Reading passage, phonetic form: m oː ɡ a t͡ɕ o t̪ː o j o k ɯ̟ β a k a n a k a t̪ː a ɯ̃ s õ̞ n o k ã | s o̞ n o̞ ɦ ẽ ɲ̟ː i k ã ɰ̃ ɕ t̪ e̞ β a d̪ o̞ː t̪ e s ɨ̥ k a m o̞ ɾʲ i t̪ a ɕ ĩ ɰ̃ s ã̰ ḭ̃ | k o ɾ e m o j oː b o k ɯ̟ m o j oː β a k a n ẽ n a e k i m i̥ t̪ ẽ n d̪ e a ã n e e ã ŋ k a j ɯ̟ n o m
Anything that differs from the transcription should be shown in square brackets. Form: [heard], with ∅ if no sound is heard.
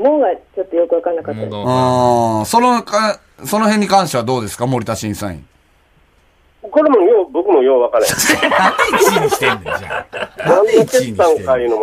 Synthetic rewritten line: m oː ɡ a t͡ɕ o t̪ː o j o k ɯ̟ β a k a n a k a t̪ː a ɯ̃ s [o̞] n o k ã | s o̞ n o̞ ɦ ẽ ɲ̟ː i k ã ɰ̃ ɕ t̪ e̞ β a d̪ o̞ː [d̪] e s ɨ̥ k a m o̞ ɾʲ i t̪ a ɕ ĩ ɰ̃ s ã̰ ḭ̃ | k o ɾ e m o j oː b o k ɯ̟ m o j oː β a k a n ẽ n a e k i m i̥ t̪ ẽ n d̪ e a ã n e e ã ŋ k a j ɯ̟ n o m